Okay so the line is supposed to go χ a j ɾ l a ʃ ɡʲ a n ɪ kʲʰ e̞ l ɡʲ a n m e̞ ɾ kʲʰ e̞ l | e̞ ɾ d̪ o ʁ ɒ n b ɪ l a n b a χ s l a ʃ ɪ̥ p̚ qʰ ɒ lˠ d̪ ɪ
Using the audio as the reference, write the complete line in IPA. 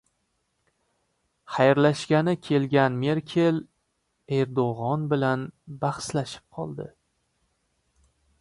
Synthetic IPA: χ a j ɾ l a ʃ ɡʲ a n ɪ kʲʰ e̞ l ɡʲ a n m e̞ ɾ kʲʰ e̞ l | e̞ ɾ d̪ o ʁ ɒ n b ɪ l a n b a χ s l a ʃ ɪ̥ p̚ qʰ ɒ lˠ d̪ ɪ

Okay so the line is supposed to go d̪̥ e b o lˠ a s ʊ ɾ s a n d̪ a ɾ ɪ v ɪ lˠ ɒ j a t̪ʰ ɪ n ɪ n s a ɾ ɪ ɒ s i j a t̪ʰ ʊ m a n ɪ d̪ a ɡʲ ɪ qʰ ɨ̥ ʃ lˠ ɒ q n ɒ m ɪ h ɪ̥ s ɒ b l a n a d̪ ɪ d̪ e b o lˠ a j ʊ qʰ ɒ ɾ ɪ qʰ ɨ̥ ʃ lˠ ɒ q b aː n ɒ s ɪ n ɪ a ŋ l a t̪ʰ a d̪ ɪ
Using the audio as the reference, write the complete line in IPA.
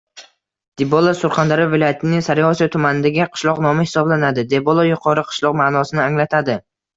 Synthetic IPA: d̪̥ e b o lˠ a s ʊ ɾ χ a n d̪ a ɾ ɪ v ɪ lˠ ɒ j a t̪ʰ ɪ n ɪ ŋ s a ɾ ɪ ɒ s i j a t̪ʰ ʊ m a n ɪ d̪ a ɡʲ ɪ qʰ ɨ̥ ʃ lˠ ɒ q n ɒ m ɪ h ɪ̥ s ɒ b l a n a d̪ ɪ d̪ e b o lˠ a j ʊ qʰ ɒ ɾ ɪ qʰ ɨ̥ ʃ lˠ ɒ q m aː n ɒ s ɪ n ɪ a ŋ l a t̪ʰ a d̪ ɪ

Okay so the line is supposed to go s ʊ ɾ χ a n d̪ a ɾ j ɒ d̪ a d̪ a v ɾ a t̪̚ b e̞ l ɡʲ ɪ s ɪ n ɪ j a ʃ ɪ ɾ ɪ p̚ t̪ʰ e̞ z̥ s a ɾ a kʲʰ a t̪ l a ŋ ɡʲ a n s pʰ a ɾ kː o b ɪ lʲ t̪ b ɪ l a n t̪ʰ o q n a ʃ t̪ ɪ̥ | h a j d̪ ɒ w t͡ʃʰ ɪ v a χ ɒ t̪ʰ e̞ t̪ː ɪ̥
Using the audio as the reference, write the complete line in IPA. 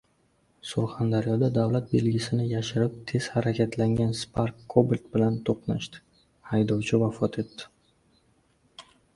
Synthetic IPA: s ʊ ɾ χ a n d̪ a ɾ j ɒ d̪ a d̪ a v l a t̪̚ b e̞ l ɡʲ ɪ s ɪ n ɪ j a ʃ ɪ ɾ ɪ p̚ t̪ʰ e̞ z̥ h a ɾ a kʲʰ a t̪ l a ŋ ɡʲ a n s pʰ a ɾ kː o b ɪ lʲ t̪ b ɪ l a n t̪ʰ o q n a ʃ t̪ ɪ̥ | h a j d̪ ɒ w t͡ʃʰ ɪ v a f ɒ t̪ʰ e̞ t̪ː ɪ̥

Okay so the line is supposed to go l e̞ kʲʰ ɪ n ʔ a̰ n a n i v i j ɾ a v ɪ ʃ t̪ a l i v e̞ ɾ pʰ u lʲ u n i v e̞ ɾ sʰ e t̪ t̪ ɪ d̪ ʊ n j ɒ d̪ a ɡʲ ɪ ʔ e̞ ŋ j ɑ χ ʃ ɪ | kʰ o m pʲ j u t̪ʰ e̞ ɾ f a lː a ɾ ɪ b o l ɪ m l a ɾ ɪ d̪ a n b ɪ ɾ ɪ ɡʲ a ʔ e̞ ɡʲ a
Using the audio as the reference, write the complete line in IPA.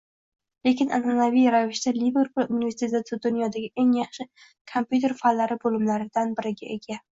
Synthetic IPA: l e̞ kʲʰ ɪ n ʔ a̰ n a n a v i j ɾ a v ɪ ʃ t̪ a l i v e̞ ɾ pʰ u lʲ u n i v e̞ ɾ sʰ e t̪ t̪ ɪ d̪ ʊ n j ɒ d̪ a ɡʲ ɪ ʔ e̞ ŋ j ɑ χ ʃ ɪ | kʰ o m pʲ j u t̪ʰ e̞ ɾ f a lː a ɾ ɪ b o l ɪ m l a ɾ ɪ d̪ a n b ɪ ɾ ɪ ɡʲ a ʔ e̞ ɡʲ a

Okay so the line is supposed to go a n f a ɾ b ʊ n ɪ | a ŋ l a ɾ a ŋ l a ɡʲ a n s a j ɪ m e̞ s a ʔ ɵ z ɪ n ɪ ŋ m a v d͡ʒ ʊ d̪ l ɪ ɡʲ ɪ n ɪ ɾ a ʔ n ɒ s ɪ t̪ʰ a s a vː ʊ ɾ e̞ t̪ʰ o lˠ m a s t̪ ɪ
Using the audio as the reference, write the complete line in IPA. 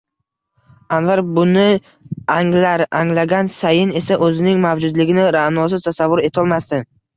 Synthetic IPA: a n v a ɾ b ʊ n ɪ | a ŋ l a ɾ a ŋ l a ɡʲ a n s a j ɪ n e̞ s a ʔ ɵ z ɪ n ɪ ŋ m a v d͡ʒ ʊ d̪ l ɪ ɡʲ ɪ n ɪ ɾ a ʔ n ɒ s ɪ t̪ʰ a s a vː ʊ ɾ e̞ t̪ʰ ɒ lˠ m a s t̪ ɪ

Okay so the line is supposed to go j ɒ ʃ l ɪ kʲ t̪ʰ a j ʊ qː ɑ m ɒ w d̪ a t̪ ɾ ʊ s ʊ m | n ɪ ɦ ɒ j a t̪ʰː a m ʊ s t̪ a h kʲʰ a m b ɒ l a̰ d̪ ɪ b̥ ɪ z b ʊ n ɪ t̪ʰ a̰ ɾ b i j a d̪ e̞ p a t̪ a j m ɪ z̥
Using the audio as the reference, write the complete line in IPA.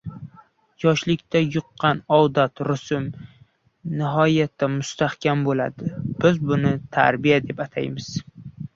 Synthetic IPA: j ɒ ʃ l ɪ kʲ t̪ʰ a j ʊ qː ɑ n ɒ w d̪ a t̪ ɾ ʊ s ʊ m | n ɪ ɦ ɒ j a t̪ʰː a m ʊ s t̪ a h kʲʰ a m b o l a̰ d̪ ɪ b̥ ɪ z b ʊ n ɪ t̪ʰ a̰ ɾ b i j a d̪ e̞ p a t̪ʰ a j m ɪ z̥

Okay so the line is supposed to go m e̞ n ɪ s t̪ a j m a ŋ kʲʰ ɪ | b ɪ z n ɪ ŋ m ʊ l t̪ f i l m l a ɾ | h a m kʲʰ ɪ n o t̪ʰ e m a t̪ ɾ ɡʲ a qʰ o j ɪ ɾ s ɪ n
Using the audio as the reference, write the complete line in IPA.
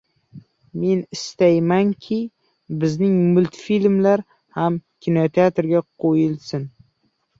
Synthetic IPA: m e̞ n ɪ s t̪ a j m a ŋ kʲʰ ɪ | b ɪ z n ɪ ŋ m ʊ l t̪ f i l m l a ɾ | h a m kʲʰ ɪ n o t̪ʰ e a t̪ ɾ ɡʲ a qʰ o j ɪ l s ɪ n

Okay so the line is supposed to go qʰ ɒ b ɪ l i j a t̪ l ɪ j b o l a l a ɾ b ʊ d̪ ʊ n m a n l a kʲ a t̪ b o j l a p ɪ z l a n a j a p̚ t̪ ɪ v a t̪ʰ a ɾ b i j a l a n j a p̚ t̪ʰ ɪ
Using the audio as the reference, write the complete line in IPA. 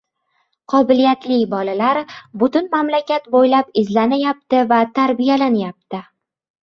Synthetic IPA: qʰ ɒ b ɪ l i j a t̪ l ɪ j b ɒ l a l a ɾ b ʊ t̪ ʊ n m a m l a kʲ a t̪ b o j l a p ɪ z l a n a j a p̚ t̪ ɪ v a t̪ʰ a ɾ b i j a l a n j a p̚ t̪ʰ ɪ

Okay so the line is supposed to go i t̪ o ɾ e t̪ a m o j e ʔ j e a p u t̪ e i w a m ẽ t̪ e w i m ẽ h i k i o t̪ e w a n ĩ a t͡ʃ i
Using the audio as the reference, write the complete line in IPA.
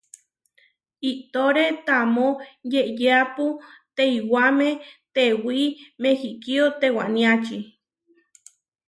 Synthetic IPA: i t̪ o ɾ e t̪ a m o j e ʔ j e a p u t̪ e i w a m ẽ t̪ e w i m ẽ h i k i o t̪ e w a n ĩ a t͡ʃ i

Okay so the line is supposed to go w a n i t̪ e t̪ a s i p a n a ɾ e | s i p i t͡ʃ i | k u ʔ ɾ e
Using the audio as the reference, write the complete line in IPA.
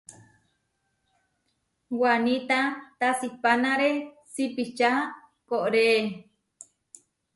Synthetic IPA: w a n i t̪ a t̪ a s i p a n a ɾ e | s i p i t͡ʃ a | k o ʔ ɾ e

